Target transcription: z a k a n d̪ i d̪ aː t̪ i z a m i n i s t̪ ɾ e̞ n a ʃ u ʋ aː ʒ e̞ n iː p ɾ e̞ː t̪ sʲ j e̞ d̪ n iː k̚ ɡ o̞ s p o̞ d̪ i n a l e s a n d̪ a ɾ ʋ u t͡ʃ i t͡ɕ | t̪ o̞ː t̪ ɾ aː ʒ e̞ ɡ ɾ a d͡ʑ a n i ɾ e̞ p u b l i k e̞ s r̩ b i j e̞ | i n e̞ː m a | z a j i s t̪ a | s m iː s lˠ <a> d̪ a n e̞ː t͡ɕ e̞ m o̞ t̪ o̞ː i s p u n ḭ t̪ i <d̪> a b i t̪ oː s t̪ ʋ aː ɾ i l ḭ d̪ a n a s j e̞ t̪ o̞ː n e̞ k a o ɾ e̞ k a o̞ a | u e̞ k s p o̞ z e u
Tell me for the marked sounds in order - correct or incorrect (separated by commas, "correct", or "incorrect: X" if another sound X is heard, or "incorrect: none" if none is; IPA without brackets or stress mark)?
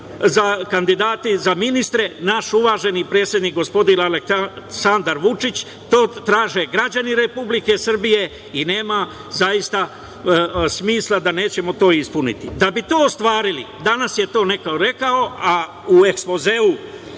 correct, correct